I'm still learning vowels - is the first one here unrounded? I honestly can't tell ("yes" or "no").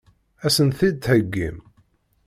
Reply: yes